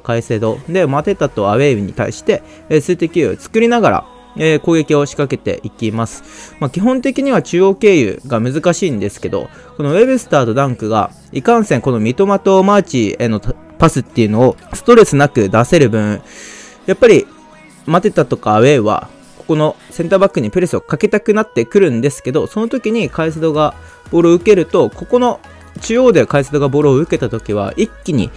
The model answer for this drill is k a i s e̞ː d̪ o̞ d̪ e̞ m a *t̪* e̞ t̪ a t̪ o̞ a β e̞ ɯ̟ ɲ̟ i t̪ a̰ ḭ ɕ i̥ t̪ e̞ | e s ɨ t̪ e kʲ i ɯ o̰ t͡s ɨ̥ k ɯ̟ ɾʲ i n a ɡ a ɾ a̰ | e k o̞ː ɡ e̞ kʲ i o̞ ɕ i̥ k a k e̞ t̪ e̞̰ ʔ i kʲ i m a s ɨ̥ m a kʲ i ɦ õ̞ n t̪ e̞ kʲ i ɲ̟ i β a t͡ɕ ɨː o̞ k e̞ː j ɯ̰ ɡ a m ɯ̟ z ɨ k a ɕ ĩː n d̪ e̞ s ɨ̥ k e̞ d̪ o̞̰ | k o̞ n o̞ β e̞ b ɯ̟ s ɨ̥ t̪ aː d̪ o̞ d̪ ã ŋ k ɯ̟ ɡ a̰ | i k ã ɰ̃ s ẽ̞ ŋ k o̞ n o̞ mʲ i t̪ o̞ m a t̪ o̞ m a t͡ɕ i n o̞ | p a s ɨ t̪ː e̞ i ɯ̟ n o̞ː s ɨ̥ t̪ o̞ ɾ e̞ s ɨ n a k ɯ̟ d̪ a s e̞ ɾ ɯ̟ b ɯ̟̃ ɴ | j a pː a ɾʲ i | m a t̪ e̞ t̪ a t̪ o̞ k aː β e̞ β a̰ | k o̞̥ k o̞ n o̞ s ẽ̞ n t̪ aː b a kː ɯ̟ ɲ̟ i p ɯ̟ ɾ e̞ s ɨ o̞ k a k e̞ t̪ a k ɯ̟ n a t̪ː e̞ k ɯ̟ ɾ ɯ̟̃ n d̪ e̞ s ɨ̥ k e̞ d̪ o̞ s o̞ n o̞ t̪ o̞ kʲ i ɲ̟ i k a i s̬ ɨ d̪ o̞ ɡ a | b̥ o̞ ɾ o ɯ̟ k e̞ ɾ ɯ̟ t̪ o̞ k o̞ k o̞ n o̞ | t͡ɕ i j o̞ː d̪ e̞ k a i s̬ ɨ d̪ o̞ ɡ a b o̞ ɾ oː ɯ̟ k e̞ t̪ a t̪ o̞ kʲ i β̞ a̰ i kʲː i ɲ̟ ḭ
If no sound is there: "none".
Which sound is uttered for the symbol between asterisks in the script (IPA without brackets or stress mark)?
t̪